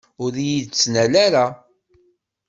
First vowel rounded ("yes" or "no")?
yes